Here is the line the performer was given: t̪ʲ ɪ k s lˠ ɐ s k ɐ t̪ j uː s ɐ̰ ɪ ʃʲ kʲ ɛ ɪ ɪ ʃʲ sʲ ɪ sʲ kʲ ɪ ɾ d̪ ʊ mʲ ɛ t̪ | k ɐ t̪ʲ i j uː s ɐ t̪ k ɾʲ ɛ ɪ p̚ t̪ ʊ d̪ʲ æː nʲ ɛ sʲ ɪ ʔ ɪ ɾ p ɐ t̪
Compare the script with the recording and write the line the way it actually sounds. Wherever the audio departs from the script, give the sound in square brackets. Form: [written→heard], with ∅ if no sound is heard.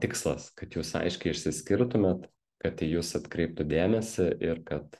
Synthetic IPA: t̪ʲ ɪ k s lˠ ɐ s k ɐ t̪ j uː s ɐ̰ ɪ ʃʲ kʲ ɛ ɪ ɪ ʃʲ sʲ ɪ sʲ kʲ ɪ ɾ [d̪→t̪] ʊ mʲ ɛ t̪ | k ɐ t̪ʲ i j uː s ɐ t̪ k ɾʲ ɛ ɪ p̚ t̪ ʊ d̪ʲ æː [nʲ→mʲ] ɛ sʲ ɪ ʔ ɪ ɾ [p→k] ɐ t̪